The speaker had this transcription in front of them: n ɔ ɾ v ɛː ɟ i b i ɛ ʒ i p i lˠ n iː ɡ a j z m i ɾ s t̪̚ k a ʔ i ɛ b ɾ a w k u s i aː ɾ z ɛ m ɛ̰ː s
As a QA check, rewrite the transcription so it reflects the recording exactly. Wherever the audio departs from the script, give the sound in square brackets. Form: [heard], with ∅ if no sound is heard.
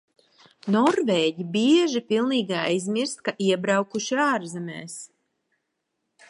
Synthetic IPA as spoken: n ɔ ɾ v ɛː ɟ i b i ɛ ʒ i p i lˠ n iː ɡ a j z m i ɾ s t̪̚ k a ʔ i ɛ b ɾ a w k u [ʃ] i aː ɾ z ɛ m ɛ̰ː s